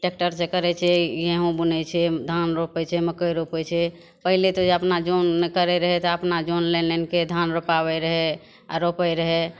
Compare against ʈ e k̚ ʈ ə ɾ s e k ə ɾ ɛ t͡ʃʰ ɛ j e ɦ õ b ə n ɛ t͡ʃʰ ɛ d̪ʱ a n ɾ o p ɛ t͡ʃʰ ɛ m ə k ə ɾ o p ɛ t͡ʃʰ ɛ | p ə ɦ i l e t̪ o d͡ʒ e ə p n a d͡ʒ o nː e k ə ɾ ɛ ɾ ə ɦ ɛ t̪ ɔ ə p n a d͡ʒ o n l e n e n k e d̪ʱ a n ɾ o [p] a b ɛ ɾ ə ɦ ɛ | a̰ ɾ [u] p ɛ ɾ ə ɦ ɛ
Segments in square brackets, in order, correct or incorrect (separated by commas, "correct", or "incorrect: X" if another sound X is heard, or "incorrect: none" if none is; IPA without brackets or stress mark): correct, incorrect: o